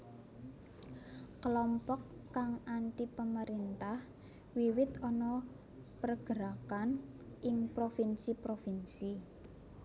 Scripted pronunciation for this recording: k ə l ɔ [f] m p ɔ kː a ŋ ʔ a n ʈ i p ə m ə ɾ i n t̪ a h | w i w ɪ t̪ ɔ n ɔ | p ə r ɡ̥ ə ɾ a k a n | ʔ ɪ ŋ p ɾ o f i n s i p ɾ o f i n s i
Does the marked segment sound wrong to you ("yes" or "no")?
yes